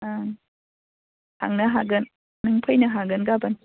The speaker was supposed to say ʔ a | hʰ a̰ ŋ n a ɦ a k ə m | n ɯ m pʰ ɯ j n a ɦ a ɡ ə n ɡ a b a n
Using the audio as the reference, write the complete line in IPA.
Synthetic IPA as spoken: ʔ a | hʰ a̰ ŋ n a ɦ a ɡ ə n | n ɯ ŋ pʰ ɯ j n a ɦ a ɡ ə n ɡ a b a n